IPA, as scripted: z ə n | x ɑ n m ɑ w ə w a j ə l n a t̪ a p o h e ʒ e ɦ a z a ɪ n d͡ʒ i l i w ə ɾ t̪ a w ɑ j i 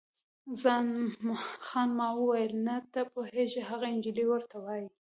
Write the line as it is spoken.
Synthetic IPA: z ɑ n | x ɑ n m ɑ w ə w a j ə l n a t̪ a p o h e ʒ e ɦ a ɣ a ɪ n d͡ʒ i l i w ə ɾ t̪ a w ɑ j i